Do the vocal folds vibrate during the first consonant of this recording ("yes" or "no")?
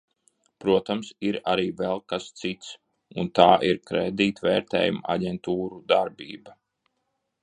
no